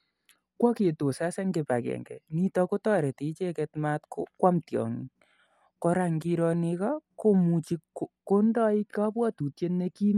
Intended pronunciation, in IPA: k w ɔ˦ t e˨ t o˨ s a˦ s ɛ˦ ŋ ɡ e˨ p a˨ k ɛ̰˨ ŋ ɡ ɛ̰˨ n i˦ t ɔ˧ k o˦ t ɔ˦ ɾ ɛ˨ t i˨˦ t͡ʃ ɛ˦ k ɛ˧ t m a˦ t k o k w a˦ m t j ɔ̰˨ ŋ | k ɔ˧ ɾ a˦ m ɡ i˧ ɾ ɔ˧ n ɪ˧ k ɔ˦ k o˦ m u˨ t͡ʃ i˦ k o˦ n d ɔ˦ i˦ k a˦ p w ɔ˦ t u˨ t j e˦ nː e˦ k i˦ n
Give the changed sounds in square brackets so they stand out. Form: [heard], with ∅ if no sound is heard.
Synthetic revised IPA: k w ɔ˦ [k] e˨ t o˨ s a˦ s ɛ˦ ŋ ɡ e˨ p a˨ k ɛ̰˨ ŋ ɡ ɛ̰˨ n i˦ t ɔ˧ k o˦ t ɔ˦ ɾ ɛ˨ t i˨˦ t͡ʃ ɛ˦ k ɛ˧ t m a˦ t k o k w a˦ m t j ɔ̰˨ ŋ | k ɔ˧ ɾ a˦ [ŋ] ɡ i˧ ɾ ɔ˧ n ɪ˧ k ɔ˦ k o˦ m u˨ t͡ʃ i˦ k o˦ n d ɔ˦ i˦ k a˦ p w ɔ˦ t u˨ t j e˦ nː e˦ k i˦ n